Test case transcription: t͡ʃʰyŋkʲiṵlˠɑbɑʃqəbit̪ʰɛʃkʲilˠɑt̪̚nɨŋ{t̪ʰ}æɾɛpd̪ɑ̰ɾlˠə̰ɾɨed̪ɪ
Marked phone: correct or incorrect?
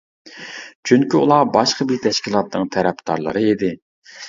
correct